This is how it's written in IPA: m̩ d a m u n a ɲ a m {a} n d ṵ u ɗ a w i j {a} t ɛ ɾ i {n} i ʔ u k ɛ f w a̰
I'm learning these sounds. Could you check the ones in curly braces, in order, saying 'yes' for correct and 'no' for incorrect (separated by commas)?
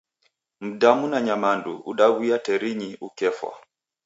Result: yes, yes, no